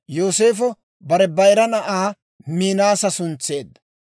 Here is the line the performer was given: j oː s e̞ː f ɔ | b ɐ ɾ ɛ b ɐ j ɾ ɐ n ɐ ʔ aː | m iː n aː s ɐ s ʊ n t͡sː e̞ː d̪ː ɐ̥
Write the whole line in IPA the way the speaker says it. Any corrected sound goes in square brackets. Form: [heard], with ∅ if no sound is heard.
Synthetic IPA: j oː s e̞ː f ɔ | b ɐ ɾ ɛ b ɐ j ɾ ɐ n ɐ ʔ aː | m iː n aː s ɐ s ʊ n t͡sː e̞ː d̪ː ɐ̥